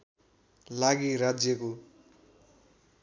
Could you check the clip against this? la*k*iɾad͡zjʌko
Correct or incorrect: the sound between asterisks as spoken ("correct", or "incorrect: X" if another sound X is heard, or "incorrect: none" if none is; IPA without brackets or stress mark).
incorrect: ɡ